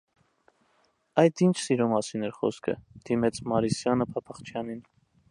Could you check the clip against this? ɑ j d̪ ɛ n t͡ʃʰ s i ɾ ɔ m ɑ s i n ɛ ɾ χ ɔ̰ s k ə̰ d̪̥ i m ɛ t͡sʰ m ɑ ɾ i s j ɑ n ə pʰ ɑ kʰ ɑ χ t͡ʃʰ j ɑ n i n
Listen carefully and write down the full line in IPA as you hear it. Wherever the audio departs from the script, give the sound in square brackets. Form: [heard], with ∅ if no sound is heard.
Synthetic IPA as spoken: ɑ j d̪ [i] n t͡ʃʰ s i ɾ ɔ m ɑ s i n ɛ ɾ χ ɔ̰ s [kʰ] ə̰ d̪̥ i m ɛ t͡sʰ m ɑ ɾ i s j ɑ n ə pʰ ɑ [pʰ] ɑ χ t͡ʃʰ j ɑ n i n